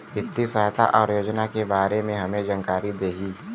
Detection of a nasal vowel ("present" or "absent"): present